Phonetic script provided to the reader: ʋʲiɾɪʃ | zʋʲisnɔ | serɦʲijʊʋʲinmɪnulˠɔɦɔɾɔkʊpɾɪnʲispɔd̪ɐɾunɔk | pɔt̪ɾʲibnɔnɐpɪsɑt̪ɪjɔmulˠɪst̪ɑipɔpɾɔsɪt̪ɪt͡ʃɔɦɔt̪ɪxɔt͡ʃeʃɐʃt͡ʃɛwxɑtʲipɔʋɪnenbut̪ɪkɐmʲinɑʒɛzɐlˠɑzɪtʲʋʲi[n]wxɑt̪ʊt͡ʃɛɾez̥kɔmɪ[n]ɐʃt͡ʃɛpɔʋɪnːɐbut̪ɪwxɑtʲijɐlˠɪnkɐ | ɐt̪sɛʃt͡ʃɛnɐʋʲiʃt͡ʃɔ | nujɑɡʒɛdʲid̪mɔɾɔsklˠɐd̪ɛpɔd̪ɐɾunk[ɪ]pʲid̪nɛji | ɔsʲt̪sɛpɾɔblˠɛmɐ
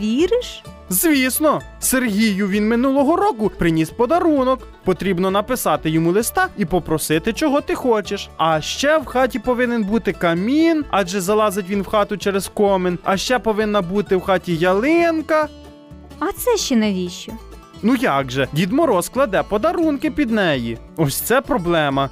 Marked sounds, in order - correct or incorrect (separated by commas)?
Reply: correct, correct, correct